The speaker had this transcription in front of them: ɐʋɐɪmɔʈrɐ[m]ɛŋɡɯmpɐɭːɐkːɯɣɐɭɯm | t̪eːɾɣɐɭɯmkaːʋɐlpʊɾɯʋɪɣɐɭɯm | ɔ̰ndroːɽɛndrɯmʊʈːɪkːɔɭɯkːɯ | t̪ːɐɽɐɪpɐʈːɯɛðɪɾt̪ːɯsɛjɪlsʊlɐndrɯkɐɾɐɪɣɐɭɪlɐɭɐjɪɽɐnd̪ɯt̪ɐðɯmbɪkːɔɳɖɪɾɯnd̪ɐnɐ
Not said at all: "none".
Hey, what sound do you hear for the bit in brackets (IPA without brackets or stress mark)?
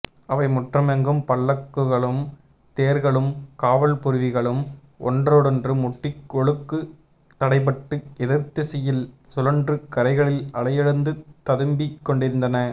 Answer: m